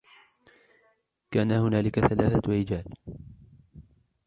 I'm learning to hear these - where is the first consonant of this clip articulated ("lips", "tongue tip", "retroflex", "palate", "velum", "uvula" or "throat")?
velum